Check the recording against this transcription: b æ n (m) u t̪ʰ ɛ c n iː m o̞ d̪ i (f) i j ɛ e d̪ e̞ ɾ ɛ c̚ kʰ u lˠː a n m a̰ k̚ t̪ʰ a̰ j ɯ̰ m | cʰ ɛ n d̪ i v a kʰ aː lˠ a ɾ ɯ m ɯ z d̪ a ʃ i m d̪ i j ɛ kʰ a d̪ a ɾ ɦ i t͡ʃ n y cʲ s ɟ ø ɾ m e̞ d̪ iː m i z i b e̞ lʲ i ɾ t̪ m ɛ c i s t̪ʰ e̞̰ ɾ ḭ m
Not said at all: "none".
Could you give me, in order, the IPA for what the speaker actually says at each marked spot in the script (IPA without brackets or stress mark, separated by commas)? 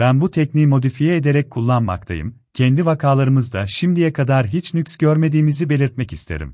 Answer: b, f